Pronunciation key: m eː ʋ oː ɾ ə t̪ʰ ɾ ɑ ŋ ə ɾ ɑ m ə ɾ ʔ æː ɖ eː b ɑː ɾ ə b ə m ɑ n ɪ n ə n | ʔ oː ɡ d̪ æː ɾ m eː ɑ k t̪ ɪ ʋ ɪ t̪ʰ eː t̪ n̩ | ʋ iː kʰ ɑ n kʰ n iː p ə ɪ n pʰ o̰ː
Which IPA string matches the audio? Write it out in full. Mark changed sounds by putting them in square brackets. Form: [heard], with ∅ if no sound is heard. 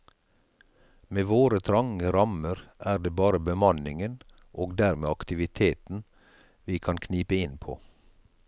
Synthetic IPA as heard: m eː ʋ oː ɾ ə t̪ʰ ɾ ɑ ŋ ə ɾ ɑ m ə ɾ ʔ æː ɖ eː b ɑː ɾ ə b ə m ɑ n ɪ [ŋ] ə n | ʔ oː ɡ d̪ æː ɾ m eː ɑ k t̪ ɪ ʋ ɪ t̪ʰ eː t̪ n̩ | ʋ iː kʰ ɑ n kʰ n iː p ə ɪ n pʰ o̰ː